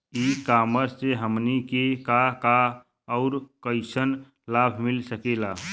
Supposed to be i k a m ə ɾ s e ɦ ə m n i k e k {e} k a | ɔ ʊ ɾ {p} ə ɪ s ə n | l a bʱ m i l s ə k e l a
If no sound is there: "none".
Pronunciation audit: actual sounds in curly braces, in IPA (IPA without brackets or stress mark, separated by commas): a, k